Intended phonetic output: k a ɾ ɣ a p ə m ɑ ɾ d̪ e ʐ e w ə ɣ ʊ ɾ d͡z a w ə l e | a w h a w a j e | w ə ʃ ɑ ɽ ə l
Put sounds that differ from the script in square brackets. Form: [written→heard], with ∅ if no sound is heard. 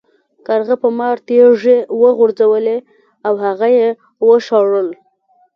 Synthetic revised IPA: k a ɾ ɣ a p ə m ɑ ɾ [d̪→t̪] e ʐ e w ə ɣ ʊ ɾ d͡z a w ə l e | a w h a [w→ɣ] a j e | w ə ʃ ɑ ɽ ə l